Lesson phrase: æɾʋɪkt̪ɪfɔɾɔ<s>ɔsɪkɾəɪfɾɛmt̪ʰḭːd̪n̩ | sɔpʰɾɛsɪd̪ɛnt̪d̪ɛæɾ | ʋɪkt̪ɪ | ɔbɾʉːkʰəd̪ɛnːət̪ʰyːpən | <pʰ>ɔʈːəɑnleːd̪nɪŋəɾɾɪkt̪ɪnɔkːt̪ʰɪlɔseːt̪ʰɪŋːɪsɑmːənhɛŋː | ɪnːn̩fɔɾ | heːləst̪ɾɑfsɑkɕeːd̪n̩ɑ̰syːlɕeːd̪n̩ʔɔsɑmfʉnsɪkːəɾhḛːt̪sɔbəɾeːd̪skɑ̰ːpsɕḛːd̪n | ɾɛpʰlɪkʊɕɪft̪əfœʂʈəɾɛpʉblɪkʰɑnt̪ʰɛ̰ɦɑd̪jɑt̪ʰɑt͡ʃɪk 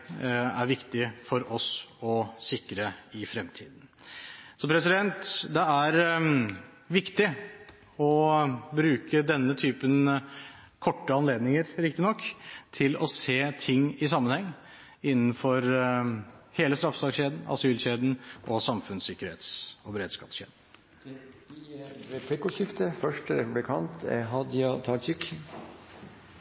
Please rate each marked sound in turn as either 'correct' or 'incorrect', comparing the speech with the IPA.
correct, incorrect

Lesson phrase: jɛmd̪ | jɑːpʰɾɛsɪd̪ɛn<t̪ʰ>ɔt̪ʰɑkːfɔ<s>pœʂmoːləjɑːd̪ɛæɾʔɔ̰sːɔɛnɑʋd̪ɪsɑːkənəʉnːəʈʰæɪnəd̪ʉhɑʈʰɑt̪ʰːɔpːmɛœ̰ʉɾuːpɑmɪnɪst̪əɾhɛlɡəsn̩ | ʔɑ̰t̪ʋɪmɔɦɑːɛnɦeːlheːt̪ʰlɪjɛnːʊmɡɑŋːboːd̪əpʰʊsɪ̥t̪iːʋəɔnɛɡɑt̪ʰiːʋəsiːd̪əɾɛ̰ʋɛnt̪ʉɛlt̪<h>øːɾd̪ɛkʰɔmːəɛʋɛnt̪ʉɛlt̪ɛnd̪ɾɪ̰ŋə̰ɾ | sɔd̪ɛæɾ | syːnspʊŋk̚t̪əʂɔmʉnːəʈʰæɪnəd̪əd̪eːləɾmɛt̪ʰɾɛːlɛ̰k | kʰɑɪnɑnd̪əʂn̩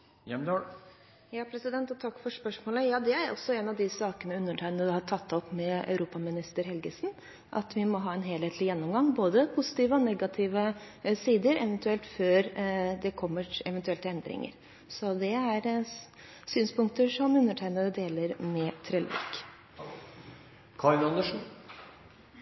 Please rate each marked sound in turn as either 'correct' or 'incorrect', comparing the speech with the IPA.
incorrect, incorrect, incorrect

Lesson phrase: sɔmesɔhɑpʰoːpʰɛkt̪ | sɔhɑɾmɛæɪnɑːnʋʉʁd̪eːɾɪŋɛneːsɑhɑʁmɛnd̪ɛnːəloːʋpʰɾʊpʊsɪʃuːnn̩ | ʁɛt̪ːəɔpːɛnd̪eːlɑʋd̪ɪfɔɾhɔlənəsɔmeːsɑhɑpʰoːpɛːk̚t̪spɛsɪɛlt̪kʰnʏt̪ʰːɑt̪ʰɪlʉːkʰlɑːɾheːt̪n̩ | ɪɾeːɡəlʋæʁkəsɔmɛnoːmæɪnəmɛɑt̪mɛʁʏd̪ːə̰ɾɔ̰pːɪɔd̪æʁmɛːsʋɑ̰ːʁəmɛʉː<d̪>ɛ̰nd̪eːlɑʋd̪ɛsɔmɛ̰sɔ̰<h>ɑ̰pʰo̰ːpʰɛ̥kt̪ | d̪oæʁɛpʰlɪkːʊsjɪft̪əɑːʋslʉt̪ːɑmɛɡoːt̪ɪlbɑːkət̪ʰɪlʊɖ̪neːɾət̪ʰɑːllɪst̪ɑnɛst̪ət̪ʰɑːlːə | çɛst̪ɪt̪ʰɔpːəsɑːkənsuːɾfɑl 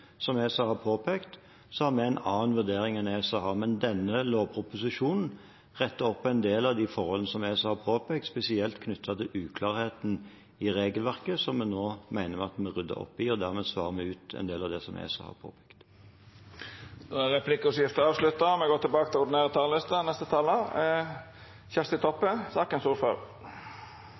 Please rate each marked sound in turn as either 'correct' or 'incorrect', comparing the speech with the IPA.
incorrect, correct

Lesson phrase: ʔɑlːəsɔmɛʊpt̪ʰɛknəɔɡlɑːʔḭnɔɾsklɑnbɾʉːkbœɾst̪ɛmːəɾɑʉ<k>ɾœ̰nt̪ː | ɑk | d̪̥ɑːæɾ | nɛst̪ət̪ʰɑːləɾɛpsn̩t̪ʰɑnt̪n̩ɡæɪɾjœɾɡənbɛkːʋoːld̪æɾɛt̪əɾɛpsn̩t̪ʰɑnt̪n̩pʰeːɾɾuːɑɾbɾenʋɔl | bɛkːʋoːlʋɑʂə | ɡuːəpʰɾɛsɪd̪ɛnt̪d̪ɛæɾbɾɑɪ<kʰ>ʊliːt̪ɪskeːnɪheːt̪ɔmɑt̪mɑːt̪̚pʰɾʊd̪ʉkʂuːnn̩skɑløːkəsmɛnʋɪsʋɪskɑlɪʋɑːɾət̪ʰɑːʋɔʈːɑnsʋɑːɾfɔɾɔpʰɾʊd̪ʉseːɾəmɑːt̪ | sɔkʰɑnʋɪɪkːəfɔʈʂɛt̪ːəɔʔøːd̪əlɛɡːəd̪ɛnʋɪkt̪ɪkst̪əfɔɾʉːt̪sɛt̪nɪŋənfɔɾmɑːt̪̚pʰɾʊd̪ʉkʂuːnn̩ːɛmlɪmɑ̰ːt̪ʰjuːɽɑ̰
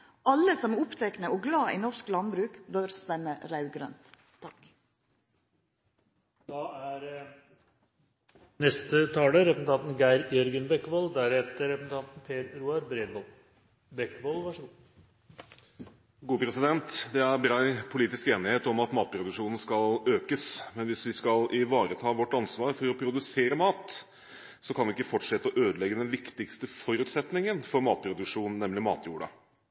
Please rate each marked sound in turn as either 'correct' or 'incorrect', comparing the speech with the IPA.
incorrect, incorrect

